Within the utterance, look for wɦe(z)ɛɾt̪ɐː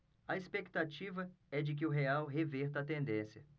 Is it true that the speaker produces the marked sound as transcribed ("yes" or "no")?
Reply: no